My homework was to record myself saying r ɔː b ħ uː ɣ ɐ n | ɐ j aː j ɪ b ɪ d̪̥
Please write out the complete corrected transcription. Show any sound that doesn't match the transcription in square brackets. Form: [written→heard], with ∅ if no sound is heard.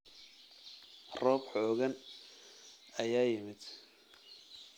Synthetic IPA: r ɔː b ħ [uː→ɔː] ɣ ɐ n | ɐ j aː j ɪ [b→m] ɪ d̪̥